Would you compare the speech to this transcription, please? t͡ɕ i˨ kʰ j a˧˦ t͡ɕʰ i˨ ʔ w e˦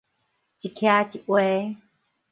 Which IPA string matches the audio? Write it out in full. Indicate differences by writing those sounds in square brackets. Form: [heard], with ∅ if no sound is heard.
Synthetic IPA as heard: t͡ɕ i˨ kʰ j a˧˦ [t͡ɕ] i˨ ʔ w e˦

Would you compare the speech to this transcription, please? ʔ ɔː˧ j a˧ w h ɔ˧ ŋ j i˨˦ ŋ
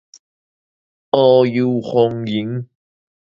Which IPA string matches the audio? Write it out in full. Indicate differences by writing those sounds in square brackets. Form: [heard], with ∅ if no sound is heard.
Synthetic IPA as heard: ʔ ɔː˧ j [i˧] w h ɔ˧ ŋ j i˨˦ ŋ

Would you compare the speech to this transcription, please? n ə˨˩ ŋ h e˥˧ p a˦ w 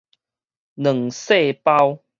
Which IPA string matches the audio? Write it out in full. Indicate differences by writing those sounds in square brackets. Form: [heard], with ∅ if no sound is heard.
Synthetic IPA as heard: n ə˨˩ ŋ [s] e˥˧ p a˦ w

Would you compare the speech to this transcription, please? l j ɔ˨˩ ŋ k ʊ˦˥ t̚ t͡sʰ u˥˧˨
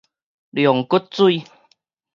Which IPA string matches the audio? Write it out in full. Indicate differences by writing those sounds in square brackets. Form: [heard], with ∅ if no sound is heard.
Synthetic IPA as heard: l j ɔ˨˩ ŋ k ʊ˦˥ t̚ [t͡s] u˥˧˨

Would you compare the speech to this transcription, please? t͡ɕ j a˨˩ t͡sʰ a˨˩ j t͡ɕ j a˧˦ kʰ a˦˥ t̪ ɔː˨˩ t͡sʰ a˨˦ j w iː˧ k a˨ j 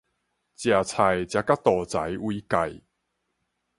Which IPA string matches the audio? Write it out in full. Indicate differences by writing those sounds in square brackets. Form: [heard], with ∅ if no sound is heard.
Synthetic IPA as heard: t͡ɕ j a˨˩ t͡sʰ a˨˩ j t͡ɕ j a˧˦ [k] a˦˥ t̪ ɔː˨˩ [t͡s] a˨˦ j w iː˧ k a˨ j

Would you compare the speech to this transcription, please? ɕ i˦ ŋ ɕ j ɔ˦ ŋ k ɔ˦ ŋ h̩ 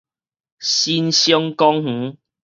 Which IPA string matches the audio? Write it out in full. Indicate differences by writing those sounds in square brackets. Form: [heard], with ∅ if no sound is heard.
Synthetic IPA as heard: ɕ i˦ [n] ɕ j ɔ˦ ŋ k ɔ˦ ŋ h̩

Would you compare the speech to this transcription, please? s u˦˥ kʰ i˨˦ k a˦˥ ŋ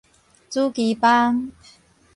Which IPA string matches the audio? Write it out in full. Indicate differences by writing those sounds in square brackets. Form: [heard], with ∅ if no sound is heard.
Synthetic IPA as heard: [t͡s] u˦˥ [k] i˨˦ [p] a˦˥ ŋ

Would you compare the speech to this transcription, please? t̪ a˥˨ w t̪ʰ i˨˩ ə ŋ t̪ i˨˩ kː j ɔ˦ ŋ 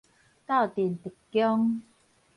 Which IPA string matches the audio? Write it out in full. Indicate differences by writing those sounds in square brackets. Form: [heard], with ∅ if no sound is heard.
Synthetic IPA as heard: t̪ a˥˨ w [t̪] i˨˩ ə [n] t̪ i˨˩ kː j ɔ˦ ŋ

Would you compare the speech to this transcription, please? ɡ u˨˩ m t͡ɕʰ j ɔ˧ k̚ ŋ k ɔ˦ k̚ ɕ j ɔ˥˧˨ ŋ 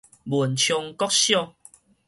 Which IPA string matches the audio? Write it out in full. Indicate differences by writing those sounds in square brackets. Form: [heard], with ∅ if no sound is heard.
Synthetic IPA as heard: [b] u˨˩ [n] t͡ɕʰ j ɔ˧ [∅] ŋ k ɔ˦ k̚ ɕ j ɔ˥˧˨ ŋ

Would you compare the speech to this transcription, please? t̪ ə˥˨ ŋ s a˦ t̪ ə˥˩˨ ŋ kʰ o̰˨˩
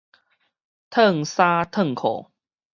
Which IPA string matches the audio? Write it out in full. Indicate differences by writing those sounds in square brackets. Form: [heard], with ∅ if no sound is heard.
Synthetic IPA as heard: [t̪ʰ] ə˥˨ ŋ s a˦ [t̪ʰ] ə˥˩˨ ŋ kʰ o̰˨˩

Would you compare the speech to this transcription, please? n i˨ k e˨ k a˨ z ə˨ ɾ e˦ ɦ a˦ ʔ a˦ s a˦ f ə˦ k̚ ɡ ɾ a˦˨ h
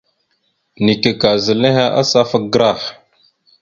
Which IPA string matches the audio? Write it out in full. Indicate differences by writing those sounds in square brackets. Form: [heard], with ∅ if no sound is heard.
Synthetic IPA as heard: n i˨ k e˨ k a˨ z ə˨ [l] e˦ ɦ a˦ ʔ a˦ s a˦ f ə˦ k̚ ɡ ɾ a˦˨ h

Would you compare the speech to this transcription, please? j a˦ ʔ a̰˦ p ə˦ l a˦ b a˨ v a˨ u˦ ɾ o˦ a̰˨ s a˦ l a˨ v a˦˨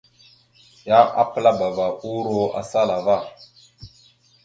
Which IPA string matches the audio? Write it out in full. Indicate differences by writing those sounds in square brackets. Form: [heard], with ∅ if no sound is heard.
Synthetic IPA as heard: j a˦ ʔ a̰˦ p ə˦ l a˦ b a˨ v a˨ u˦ ɾ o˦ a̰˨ s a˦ l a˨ v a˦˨

